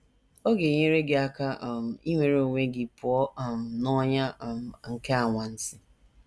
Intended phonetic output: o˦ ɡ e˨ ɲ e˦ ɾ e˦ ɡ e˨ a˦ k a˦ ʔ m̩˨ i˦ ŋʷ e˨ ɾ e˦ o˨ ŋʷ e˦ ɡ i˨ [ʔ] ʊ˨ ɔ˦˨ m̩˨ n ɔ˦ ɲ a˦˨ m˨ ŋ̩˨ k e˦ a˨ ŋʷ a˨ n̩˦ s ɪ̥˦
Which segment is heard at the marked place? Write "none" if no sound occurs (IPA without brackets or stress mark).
p